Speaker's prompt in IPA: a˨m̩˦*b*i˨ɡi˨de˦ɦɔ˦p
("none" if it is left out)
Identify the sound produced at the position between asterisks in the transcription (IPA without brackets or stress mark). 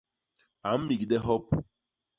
m